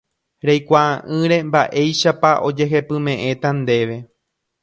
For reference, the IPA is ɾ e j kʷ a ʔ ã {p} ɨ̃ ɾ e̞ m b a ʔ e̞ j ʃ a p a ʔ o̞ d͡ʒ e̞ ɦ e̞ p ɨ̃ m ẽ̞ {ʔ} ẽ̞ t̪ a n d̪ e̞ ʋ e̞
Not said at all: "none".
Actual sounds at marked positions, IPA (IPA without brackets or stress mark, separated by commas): ʔ, ʔ